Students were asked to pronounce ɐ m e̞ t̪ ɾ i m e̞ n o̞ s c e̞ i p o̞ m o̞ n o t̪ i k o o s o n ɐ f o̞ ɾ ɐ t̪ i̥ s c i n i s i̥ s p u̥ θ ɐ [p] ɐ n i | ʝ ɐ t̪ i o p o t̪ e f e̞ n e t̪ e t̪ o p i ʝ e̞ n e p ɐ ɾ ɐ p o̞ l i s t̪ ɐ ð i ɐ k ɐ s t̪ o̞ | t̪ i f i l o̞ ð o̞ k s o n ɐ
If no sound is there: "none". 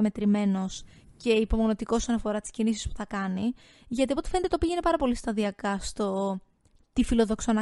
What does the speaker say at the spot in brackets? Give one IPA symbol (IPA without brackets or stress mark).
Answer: k